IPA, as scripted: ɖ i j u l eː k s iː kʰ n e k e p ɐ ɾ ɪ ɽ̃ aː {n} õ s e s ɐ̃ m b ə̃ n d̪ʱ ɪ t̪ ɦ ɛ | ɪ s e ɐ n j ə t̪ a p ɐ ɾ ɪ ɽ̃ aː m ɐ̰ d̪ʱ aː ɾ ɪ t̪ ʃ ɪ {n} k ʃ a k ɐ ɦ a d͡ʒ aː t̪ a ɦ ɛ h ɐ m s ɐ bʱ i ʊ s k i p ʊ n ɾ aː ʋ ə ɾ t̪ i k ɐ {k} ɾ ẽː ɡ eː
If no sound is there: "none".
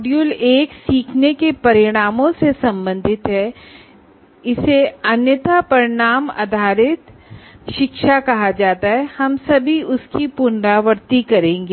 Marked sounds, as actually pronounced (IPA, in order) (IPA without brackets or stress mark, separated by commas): m, none, none